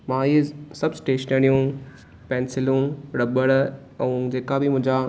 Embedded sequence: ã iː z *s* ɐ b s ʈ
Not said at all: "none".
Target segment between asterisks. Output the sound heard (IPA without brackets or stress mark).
s